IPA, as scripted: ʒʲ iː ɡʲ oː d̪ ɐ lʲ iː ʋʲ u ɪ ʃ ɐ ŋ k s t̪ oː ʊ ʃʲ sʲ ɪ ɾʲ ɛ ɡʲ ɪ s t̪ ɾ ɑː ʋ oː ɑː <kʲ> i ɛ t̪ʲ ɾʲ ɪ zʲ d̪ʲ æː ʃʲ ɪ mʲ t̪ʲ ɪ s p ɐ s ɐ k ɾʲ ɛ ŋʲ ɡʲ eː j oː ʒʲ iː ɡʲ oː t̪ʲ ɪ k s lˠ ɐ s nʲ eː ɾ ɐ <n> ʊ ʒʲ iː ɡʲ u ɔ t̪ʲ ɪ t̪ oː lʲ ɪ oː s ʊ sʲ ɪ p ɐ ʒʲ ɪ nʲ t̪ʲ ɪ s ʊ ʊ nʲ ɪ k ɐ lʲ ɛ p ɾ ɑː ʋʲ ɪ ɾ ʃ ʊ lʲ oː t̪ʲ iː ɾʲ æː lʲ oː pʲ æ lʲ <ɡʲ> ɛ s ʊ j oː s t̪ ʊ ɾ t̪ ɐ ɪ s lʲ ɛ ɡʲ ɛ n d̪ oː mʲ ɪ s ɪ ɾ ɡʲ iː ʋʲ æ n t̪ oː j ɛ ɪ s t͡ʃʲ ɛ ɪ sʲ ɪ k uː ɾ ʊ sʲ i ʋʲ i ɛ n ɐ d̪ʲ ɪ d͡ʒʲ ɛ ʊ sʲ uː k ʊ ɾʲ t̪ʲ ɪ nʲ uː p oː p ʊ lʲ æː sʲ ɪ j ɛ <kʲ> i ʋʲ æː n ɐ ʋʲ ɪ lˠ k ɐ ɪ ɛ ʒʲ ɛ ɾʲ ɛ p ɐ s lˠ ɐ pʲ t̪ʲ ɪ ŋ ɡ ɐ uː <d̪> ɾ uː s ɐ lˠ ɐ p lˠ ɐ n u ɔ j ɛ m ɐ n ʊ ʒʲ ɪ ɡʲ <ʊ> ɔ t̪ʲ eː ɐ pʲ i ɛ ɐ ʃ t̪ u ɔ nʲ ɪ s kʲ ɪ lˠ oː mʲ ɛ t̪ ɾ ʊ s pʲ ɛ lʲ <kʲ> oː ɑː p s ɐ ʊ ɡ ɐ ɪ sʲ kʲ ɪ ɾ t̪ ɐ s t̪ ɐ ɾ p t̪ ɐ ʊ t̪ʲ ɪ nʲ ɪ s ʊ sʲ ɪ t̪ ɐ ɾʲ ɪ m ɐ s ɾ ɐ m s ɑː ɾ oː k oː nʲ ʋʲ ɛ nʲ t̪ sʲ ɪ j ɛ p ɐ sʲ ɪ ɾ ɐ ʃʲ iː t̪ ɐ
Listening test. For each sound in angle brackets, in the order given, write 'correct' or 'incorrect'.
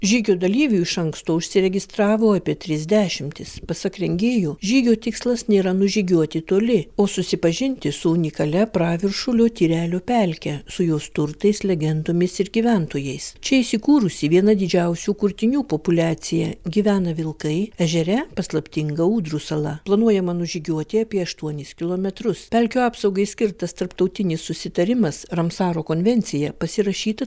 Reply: incorrect: pʲ, correct, incorrect: kʲ, incorrect: ɡʲ, correct, incorrect: u, correct

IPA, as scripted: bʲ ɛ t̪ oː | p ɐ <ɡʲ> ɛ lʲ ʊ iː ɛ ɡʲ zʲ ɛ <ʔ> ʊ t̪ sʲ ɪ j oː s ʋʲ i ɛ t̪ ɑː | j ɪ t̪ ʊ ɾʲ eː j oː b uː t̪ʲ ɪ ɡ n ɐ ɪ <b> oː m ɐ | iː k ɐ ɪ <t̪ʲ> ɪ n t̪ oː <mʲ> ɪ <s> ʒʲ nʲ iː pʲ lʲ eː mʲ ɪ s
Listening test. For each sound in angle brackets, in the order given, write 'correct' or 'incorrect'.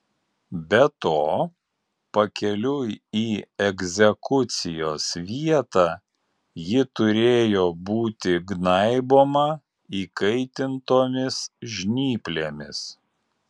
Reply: incorrect: kʲ, incorrect: k, correct, correct, correct, correct

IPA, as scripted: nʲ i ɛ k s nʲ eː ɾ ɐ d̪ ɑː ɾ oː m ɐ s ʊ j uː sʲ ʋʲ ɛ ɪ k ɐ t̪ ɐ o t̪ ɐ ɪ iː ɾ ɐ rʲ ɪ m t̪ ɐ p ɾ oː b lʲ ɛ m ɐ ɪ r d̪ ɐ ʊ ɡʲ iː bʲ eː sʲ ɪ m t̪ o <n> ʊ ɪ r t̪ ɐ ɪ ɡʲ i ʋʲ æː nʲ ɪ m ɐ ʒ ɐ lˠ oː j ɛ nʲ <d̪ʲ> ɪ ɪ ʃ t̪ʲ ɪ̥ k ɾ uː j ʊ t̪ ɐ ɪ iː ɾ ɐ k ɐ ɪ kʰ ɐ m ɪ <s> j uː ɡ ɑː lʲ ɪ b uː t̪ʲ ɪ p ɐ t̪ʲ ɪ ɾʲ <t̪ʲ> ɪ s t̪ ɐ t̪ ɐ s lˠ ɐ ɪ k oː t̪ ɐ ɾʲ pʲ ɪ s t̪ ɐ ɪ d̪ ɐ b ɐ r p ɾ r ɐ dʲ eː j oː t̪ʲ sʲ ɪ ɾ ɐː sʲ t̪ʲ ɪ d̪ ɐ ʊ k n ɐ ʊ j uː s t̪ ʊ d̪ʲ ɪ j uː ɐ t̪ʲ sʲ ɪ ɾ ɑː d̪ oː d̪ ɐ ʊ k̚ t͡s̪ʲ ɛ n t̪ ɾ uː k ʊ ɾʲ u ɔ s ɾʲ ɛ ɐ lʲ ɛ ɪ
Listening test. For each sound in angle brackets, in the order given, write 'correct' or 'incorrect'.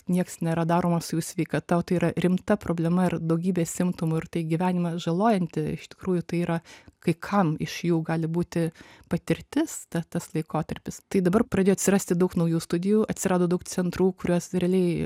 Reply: incorrect: m, incorrect: t̪ʲ, incorrect: ʃ, correct

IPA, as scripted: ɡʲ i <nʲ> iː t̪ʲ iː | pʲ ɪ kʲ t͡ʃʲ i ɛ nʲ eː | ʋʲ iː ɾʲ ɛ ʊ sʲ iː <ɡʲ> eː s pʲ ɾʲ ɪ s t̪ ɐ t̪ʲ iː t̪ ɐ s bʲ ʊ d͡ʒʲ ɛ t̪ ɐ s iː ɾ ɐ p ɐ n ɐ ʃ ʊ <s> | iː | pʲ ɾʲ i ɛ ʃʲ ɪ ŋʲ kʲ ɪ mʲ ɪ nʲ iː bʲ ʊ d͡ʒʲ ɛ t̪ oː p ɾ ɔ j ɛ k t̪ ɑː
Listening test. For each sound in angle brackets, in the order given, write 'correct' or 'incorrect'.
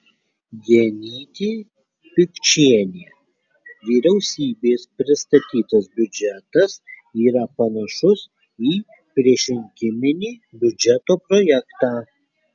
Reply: correct, incorrect: bʲ, correct

